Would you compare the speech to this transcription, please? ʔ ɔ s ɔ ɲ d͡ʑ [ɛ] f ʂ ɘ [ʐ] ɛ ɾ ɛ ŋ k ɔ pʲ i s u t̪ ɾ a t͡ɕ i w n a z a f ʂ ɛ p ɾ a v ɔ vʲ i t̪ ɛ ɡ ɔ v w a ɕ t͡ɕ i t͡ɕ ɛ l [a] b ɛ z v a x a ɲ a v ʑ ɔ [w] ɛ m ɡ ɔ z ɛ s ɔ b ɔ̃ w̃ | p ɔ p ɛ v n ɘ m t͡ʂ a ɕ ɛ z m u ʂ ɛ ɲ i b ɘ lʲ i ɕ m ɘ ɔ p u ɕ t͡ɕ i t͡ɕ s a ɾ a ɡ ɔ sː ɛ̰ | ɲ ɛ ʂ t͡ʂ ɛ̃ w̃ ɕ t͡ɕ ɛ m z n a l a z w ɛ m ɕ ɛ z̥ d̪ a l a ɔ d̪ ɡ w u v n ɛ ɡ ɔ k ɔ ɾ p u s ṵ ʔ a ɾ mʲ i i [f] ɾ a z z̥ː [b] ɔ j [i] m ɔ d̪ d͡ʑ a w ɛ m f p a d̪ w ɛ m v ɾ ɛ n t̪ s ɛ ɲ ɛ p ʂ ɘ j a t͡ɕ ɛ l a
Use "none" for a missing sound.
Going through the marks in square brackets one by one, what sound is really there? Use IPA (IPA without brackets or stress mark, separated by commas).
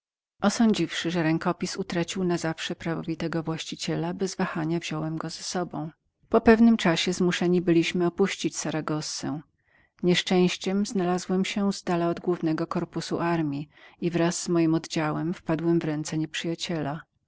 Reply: i, ʐ, a, w, v, m, i